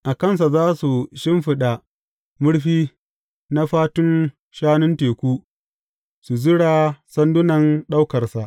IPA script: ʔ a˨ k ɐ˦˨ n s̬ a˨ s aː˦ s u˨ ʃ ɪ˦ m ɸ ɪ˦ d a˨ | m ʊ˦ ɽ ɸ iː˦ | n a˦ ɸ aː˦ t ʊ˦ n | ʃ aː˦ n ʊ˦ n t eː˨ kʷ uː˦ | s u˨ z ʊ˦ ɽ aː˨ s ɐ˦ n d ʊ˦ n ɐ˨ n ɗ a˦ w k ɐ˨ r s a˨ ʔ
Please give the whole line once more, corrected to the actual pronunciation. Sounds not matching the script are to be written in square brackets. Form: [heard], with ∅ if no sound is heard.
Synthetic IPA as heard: ʔ a˨ k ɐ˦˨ n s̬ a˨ [z] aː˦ s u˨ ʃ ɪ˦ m ɸ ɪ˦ [ɗ] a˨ | m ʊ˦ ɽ ɸ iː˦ | n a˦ ɸ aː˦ t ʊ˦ n | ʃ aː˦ n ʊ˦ n t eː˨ kʷ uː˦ | s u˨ z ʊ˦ ɽ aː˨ s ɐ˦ n d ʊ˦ n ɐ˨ n ɗ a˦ w k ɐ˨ r s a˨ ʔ